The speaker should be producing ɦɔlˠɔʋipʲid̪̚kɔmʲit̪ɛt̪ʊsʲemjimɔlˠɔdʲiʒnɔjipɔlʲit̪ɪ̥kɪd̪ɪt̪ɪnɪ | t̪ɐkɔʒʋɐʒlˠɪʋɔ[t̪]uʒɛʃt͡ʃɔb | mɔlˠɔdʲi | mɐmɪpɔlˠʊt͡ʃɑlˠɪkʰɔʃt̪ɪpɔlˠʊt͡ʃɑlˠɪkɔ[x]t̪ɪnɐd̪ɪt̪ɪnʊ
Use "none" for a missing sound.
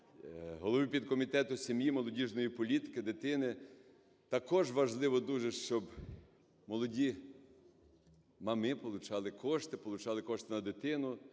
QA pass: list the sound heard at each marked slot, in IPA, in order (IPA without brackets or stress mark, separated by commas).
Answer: d̪, ʃ